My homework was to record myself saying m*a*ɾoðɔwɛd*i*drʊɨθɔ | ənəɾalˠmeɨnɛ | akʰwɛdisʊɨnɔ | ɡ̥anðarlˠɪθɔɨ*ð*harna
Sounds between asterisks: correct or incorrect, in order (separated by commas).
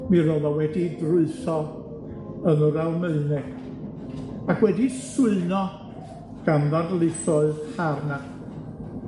incorrect, correct, correct